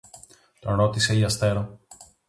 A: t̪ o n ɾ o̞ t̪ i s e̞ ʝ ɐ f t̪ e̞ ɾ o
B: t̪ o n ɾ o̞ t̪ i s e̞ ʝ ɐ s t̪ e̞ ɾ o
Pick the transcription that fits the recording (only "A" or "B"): B